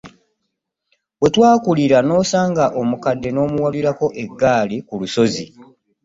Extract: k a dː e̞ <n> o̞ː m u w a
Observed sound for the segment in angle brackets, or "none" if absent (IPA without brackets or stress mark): n